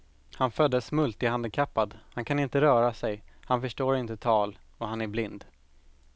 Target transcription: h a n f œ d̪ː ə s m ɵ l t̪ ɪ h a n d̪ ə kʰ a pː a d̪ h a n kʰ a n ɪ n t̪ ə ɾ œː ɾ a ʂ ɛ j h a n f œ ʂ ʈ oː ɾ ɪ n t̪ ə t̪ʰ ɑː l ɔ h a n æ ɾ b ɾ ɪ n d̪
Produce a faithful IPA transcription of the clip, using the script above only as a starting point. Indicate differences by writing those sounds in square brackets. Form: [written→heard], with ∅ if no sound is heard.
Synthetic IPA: h a n f œ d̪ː ə s m ɵ l t̪ ɪ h a n d̪ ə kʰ a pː a d̪ h a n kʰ a n ɪ n t̪ ə ɾ œː ɾ a [ʂ→s] ɛ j h a n f œ ʂ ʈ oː ɾ ɪ n t̪ ə t̪ʰ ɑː l ɔ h a n æ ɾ b [ɾ→l] ɪ n d̪